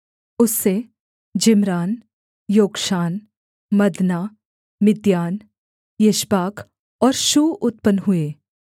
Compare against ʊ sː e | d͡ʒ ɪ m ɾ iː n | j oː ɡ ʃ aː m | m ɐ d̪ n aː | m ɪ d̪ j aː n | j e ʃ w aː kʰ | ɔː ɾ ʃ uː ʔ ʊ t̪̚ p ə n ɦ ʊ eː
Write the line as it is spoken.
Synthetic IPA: ʊ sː e | d͡ʒ ɪ m ɾ aː n | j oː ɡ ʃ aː n | m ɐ d̪ n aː | m ɪ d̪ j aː n | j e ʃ b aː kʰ | ɔː ɾ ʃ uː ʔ ʊ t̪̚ p ə n ɦ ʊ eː